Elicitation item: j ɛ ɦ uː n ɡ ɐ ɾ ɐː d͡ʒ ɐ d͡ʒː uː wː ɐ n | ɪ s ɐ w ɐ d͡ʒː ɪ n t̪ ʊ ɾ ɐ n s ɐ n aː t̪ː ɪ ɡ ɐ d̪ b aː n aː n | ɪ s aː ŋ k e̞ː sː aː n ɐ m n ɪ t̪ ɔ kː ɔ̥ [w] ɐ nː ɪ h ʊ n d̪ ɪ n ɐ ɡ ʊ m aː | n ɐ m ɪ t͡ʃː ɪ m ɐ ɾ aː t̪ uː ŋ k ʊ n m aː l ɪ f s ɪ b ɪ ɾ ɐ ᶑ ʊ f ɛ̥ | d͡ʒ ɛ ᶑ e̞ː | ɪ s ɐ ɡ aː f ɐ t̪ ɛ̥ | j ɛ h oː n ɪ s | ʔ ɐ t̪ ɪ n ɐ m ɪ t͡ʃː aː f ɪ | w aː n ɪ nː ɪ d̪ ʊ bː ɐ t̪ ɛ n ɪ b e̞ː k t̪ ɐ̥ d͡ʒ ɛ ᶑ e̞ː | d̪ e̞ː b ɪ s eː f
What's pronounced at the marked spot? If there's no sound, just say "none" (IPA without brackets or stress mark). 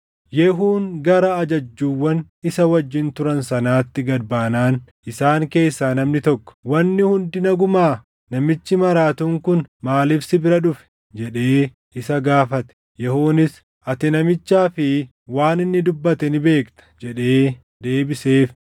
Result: w